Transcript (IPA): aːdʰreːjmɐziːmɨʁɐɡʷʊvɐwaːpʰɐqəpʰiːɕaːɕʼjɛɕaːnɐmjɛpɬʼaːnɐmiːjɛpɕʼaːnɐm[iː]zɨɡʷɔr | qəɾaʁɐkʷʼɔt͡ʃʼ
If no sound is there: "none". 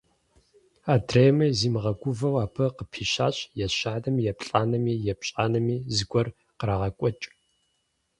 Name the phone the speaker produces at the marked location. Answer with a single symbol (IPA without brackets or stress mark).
iː